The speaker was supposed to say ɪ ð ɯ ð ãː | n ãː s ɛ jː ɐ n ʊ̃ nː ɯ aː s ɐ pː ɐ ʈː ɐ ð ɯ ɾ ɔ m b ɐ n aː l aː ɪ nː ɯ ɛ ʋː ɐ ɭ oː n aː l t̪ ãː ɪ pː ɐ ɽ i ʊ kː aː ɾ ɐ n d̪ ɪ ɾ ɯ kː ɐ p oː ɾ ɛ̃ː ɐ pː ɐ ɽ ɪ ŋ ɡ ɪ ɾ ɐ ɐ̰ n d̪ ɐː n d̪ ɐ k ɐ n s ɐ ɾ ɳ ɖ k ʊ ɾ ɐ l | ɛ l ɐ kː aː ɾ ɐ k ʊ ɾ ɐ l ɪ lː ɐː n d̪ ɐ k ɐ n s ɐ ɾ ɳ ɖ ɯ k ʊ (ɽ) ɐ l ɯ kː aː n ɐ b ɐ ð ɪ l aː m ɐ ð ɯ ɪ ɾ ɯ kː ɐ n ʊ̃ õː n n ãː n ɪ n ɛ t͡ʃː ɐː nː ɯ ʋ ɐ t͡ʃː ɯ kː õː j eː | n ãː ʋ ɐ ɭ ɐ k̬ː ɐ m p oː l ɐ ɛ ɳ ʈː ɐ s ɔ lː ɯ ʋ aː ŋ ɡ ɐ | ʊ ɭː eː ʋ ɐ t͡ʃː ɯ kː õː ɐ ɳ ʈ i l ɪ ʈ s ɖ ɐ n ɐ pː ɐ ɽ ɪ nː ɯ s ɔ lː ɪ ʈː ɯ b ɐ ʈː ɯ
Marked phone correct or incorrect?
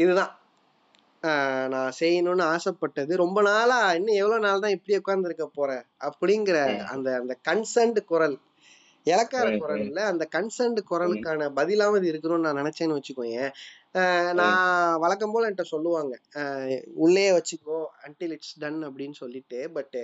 incorrect